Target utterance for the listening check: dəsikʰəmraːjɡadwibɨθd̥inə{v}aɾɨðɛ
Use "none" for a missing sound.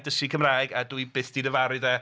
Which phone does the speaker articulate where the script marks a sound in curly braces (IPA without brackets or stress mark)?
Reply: v